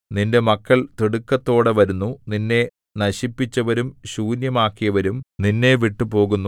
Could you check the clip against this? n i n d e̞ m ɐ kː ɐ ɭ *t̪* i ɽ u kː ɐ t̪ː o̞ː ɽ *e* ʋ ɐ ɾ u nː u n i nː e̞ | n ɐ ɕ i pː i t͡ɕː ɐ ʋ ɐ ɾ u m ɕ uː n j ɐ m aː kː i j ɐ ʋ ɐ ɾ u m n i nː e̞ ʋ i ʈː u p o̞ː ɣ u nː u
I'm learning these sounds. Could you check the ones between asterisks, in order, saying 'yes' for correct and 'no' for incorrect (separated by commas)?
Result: yes, yes